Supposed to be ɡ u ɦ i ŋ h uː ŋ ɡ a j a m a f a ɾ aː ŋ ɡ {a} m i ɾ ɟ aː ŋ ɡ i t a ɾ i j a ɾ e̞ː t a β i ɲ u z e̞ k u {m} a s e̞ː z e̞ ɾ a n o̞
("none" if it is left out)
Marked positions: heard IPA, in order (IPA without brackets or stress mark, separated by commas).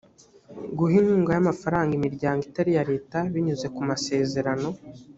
i, m